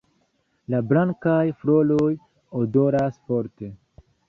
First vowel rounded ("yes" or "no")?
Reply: no